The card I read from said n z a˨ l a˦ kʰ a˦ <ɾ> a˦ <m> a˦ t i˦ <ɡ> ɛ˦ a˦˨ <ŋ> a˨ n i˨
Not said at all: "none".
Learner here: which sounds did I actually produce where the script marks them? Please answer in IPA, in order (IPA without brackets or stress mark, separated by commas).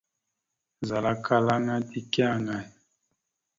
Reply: l, ŋ, k, ŋ